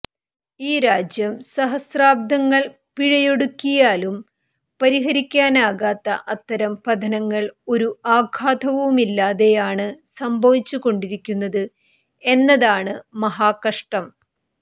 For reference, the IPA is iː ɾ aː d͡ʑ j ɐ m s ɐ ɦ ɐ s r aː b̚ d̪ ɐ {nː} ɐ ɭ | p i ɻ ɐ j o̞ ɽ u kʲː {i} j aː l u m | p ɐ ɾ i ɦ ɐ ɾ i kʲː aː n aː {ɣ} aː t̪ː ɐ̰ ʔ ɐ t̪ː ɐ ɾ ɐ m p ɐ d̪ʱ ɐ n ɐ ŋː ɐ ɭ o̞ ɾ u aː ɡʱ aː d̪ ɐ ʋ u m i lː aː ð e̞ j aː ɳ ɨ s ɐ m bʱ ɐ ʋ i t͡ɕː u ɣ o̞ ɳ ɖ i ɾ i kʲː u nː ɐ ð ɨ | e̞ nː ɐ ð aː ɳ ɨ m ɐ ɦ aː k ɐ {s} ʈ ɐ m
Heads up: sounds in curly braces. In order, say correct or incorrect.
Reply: incorrect, correct, correct, incorrect

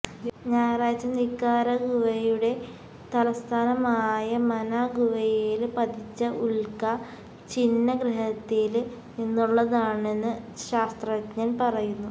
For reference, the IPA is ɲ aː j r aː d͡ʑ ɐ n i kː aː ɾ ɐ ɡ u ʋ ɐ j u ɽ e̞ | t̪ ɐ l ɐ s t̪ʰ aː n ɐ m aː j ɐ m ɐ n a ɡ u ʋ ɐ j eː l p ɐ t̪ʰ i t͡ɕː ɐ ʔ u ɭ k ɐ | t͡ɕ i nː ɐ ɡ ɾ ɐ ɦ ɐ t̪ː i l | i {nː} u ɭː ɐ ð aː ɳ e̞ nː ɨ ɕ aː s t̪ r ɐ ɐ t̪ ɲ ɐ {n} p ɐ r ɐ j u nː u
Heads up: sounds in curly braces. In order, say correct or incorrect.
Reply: correct, correct

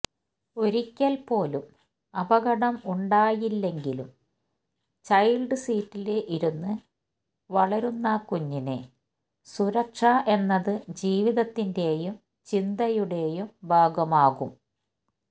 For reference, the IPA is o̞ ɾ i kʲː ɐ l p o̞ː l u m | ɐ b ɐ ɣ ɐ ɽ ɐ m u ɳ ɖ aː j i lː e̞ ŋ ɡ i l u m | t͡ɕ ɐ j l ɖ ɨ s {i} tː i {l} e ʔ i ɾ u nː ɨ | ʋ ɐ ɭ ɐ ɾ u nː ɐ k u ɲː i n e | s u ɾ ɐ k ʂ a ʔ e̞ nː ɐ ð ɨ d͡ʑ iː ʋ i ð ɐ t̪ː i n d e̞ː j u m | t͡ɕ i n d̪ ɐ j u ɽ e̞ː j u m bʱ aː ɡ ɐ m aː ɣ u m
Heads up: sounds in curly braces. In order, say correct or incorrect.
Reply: incorrect, correct

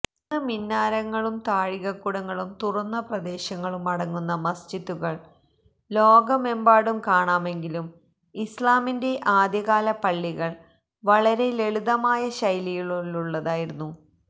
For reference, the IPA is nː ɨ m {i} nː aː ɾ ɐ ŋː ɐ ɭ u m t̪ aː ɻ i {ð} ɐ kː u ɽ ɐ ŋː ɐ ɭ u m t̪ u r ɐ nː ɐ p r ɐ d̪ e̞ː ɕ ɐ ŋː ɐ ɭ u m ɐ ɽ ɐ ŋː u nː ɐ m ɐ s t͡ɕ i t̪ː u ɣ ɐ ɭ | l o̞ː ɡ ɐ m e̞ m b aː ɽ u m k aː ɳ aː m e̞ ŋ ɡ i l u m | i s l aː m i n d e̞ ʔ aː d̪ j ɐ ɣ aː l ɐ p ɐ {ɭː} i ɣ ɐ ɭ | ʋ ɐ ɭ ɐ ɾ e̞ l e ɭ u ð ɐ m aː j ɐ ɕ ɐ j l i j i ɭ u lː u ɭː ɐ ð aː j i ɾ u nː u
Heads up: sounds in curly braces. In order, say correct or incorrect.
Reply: correct, incorrect, correct

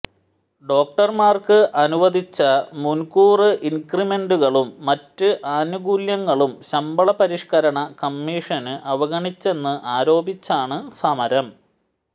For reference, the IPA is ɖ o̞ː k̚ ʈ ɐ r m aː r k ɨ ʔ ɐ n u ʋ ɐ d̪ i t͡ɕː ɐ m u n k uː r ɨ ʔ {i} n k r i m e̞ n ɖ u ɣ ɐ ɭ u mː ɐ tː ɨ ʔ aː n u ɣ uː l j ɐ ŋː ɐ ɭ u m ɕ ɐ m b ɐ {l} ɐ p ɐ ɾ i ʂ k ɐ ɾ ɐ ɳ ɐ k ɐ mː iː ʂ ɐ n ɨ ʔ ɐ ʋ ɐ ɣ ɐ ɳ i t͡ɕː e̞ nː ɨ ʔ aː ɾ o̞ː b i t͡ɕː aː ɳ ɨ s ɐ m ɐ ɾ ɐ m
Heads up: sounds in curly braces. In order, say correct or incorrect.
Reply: correct, incorrect

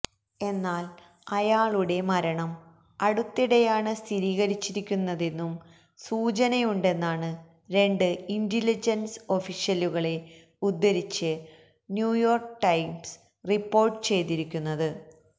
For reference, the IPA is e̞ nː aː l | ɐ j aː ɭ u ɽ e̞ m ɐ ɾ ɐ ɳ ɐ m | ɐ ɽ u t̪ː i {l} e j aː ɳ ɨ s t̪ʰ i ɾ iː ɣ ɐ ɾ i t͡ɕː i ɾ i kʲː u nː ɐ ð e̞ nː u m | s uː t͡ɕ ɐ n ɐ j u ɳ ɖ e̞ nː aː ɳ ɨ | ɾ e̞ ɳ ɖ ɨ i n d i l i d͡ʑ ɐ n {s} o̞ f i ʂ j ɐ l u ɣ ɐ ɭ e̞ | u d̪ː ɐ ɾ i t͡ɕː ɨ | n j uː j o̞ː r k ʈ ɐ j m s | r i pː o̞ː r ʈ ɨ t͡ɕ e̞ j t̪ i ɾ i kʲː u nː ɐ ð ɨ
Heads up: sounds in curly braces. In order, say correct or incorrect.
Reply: incorrect, correct

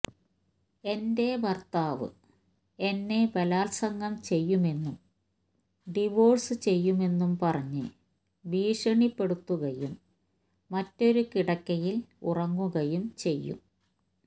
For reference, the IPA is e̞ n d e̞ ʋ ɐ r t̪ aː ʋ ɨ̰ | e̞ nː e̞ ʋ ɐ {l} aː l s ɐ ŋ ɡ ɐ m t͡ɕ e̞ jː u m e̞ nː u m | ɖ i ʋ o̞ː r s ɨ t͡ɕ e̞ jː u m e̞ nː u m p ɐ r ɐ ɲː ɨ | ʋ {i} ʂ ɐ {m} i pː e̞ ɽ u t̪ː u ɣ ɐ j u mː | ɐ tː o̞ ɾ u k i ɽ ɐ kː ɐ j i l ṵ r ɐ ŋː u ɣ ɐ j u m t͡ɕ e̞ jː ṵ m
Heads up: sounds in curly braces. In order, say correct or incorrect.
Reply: correct, incorrect, incorrect

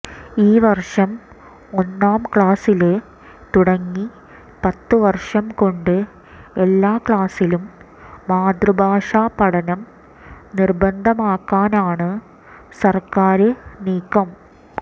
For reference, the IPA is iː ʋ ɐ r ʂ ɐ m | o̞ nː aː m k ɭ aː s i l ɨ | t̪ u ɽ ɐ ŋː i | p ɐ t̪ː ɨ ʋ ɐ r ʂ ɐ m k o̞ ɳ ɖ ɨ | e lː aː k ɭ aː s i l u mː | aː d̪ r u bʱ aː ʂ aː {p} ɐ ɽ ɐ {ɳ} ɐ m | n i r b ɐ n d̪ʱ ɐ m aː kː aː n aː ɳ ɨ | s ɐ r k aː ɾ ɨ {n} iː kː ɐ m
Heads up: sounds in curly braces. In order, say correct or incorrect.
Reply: correct, incorrect, correct

